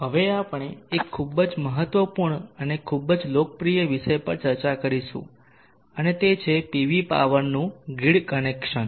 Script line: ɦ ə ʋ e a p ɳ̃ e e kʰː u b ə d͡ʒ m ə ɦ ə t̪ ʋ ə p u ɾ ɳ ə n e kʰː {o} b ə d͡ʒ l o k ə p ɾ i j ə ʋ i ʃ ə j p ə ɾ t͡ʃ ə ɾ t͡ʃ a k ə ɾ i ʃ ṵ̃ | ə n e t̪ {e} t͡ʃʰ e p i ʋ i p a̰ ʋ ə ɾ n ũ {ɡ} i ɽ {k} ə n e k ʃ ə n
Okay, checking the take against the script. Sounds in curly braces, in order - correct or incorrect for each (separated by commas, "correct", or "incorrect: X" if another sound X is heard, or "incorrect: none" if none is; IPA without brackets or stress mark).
incorrect: u, correct, correct, correct